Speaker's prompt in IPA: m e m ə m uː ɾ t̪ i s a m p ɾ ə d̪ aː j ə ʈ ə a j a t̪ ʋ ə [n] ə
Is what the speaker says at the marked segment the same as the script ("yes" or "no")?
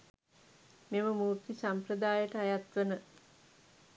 yes